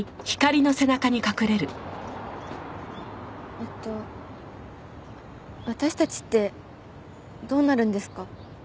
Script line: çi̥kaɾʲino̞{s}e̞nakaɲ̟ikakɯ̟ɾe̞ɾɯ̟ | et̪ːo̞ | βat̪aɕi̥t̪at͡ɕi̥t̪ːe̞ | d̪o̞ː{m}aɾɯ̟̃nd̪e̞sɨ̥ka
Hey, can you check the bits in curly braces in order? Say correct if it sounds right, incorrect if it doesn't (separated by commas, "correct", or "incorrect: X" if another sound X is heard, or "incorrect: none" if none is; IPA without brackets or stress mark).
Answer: correct, incorrect: n